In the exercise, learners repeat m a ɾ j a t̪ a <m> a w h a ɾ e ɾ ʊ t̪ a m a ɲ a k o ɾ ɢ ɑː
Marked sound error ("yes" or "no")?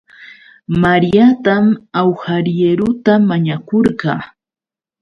no